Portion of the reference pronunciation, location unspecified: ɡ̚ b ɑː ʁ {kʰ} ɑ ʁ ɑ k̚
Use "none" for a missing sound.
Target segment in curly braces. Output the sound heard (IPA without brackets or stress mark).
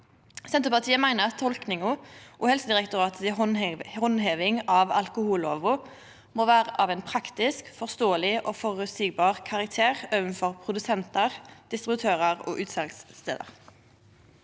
kʰ